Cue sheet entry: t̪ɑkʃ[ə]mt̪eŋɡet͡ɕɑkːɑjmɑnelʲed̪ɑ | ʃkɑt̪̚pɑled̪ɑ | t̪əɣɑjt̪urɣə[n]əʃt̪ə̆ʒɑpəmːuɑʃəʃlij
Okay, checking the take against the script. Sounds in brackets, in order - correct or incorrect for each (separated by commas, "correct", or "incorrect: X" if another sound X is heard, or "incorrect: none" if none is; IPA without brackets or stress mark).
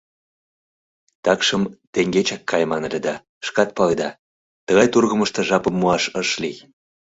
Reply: correct, incorrect: m